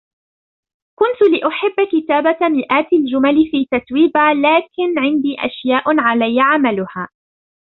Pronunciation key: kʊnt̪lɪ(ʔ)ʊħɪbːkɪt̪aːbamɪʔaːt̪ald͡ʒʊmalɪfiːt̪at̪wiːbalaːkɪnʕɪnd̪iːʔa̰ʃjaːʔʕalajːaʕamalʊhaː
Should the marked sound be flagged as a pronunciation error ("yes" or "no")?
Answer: no